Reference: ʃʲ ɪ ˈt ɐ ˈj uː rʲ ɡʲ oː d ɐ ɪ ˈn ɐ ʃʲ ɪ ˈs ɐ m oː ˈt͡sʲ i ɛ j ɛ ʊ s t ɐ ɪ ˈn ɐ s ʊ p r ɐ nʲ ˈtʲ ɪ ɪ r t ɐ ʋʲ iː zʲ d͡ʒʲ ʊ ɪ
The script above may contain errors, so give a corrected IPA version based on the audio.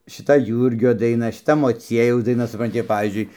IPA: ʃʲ ɪ ˈt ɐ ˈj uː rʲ ɡʲ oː d ɐ ɪ ˈn ɐ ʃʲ ɪ ˈt ɐ m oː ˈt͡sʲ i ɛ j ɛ ʊ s d ɐ ɪ ˈn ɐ s ʊ p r ɐ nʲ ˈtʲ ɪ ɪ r p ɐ ʋʲ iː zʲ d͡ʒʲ ʊ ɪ